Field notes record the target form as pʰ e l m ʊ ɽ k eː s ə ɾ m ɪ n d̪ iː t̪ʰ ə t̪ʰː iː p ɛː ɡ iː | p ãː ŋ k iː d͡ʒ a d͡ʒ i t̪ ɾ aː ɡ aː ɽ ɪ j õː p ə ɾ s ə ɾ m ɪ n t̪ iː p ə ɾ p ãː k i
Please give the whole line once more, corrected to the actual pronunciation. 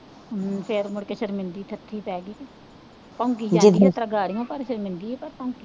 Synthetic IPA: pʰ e ɾ m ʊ ɽ k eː ʃ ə ɾ m ɪ n d̪ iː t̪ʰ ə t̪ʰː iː p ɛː ɡ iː | p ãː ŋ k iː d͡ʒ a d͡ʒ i t̪ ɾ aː ɡ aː ɽ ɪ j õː p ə ɾ ʃ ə ɾ m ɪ n d̪ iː p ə ɾ p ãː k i

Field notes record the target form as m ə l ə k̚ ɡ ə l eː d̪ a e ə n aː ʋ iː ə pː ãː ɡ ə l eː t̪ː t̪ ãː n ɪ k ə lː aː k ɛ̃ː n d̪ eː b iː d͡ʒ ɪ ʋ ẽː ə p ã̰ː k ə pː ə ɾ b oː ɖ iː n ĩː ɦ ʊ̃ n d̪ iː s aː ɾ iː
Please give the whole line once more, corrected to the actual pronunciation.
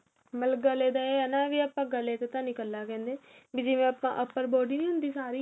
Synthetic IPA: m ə l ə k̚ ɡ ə l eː d̪ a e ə n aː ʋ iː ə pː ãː ɡ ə l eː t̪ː t̪ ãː n ɪ k ə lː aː k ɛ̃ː n d̪ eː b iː d͡ʒ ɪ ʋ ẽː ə p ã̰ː ʔ ə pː ə ɾ b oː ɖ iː n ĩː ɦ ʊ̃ n d̪ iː s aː ɾ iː

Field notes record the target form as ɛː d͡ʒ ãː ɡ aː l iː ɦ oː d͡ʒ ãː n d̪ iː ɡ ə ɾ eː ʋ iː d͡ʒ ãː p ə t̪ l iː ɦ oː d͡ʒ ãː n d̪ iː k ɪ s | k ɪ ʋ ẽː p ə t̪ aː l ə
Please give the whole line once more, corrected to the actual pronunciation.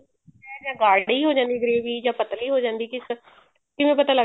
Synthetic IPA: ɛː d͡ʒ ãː ɡ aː ɽ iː ɦ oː d͡ʒ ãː n d̪ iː ɡ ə ɾ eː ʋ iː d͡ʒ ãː p ə t̪ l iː ɦ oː d͡ʒ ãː n d̪ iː k ɪ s | k ɪ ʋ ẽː p ə t̪ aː l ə

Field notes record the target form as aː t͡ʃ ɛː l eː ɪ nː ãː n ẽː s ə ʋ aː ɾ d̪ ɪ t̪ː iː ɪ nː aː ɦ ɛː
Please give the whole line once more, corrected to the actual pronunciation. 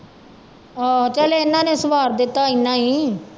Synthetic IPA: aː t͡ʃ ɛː l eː ɪ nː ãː n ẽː s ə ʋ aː ɾ d̪ ɪ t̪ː aː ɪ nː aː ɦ iː

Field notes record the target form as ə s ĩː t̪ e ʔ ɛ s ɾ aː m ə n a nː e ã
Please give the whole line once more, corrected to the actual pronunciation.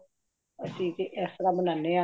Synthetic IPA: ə s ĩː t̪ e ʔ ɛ s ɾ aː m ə n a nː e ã

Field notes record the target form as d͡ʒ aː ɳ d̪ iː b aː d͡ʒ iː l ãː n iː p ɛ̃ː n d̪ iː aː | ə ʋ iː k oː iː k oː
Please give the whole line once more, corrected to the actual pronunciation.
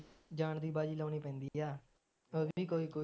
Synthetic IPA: d͡ʒ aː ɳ d̪ iː b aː d͡ʒ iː l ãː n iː p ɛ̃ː n d̪ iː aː | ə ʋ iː k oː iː k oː

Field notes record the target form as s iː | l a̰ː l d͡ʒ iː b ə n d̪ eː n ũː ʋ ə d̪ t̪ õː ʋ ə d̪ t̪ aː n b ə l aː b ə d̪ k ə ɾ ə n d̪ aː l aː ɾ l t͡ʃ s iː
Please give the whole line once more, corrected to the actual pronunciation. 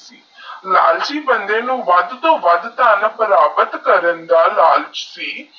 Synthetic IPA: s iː | l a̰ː l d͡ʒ iː b ə n d̪ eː n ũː ʋ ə d̪ t̪ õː ʋ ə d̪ t̪ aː n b ə ɾ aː b ə t̪ k ə ɾ ə n d̪ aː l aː l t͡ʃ s iː

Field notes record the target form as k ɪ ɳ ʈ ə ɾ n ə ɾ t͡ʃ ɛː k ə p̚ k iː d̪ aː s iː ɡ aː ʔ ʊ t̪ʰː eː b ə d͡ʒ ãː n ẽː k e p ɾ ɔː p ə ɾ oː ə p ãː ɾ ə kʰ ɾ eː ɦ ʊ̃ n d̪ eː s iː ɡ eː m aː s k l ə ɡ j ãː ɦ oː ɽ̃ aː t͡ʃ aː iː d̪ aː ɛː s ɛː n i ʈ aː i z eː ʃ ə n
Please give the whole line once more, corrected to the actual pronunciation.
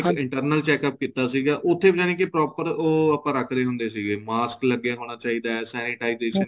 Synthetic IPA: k ɪ ɳ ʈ ə ɾ n ə l t͡ʃ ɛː k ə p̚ k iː t̪ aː s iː ɡ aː ʔ ʊ t̪ʰː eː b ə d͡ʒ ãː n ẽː k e p ɾ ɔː p ə ɾ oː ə p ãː ɾ ə kʰ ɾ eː ɦ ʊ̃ n d̪ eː s iː ɡ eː m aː s k l ə ɡ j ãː ɦ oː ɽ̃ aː t͡ʃ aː iː d̪ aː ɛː s ɛː n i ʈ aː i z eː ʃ ə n

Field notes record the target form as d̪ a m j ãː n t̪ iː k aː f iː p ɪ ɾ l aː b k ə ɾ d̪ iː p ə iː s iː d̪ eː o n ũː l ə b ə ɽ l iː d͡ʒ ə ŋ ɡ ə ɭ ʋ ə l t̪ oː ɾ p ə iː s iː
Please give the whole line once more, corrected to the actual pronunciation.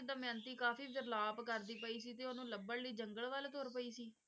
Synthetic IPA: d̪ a m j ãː n t̪ iː k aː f iː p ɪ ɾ l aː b k ə ɾ d̪ iː p ə iː s iː t̪ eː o n ũː l ə b ə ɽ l iː d͡ʒ ə ŋ ɡ ə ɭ ʋ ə l t̪ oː ɾ p ə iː s iː

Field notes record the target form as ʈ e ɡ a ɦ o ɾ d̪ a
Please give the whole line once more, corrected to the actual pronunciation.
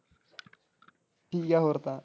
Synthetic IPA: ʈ i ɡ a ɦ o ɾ t̪ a

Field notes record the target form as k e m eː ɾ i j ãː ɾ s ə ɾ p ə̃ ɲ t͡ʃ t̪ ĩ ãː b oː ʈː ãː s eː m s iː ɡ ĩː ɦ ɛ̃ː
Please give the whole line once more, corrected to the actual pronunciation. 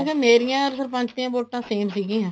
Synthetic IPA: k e m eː ɾ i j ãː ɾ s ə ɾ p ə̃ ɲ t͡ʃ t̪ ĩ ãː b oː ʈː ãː s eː m s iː ɡ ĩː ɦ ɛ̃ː

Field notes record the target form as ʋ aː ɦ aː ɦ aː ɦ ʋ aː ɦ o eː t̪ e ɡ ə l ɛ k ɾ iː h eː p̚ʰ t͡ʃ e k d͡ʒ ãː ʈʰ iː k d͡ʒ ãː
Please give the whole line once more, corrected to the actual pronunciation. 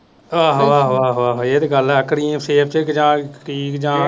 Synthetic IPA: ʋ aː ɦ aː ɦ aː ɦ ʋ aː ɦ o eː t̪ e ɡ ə l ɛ k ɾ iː s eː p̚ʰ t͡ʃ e k d͡ʒ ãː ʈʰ iː k d͡ʒ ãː

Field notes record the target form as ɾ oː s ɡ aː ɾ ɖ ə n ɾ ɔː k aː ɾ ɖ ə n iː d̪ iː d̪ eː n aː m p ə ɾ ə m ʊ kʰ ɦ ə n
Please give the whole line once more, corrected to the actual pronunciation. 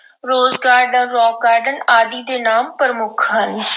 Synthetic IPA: ɾ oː z ɡ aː ɾ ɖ ə n ɾ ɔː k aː ɾ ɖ ə n aː d̪ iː d̪ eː n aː m p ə ɾ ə m ʊ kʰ ɦ ə n

